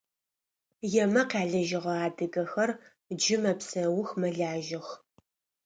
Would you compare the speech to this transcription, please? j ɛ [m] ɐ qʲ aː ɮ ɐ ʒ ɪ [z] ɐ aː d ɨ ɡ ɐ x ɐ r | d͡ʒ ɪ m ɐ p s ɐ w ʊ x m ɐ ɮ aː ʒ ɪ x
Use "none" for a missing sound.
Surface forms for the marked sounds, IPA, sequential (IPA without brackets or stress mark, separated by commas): m, ʁ